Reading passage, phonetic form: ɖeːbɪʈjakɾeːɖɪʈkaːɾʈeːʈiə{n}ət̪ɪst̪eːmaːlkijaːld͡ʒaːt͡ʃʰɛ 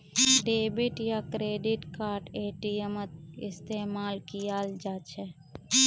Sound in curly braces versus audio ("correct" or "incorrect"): incorrect